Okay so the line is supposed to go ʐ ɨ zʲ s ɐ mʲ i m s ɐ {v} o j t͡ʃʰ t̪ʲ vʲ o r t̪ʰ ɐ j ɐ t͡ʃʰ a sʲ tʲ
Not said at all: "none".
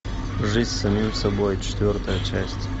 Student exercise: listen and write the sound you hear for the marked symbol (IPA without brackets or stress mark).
b